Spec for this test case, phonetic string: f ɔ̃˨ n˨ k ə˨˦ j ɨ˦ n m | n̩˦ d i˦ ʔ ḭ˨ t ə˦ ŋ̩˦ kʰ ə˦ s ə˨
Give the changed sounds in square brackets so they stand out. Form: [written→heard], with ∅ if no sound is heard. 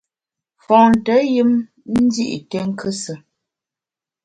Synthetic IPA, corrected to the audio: f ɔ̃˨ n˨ [k→t] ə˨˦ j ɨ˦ [n→∅] m | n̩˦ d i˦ ʔ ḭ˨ t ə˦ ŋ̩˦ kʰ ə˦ s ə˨